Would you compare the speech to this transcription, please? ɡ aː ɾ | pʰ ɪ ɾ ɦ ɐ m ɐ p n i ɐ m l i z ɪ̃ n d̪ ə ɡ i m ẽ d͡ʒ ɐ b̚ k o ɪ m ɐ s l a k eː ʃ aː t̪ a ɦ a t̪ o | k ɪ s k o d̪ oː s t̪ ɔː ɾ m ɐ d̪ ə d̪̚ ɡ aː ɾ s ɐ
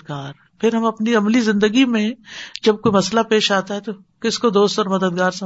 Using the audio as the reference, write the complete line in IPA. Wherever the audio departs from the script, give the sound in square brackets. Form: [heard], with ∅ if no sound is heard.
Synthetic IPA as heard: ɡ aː ɾ | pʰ ɪ ɾ ɦ ɐ m ɐ p n i ɐ m l i z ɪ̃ n d̪ ə ɡ i m ẽ d͡ʒ ɐ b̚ k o [i] m ɐ s l a [p] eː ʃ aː t̪ a ɦ [ɛ] t̪ o | k ɪ s k o d̪ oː s t̪ ɔː ɾ m ɐ d̪ ə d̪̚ ɡ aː ɾ s ɐ